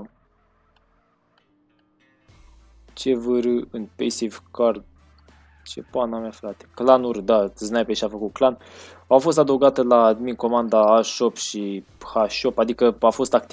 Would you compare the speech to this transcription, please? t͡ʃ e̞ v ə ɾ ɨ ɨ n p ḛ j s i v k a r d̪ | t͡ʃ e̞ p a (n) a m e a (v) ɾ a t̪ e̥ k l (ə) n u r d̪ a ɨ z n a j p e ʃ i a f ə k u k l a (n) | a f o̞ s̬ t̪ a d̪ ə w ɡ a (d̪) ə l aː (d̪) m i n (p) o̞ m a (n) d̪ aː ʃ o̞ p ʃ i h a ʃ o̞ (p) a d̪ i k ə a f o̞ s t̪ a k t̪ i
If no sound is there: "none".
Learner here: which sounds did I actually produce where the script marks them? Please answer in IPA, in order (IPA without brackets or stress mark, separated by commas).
n, f, a, n, t̪, d̪, k, n, p